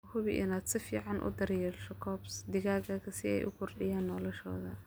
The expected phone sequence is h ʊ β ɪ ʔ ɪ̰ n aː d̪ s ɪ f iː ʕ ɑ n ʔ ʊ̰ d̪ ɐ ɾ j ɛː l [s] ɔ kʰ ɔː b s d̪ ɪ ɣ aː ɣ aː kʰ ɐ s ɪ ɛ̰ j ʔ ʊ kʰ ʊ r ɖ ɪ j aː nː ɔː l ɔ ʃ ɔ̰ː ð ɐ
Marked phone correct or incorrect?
incorrect: ʃ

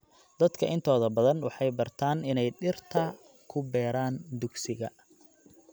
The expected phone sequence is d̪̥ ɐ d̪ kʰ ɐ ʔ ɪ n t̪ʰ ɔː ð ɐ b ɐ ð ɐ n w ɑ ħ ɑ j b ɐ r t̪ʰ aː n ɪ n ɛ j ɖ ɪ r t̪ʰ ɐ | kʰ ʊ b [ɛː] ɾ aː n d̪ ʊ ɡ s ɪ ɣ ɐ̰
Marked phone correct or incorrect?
correct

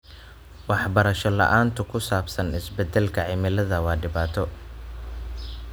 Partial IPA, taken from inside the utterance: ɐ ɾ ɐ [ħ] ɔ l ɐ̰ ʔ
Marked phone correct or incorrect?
incorrect: ʃ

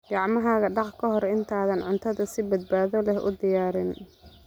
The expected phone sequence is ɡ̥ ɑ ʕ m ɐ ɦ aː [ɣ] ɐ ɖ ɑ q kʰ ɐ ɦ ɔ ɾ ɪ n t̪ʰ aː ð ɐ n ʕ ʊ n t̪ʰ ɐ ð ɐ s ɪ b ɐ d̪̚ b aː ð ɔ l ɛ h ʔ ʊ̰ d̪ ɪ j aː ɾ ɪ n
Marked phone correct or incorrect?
correct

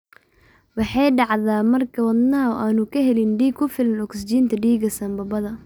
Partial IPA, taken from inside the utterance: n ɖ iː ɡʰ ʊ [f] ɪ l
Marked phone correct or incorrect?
correct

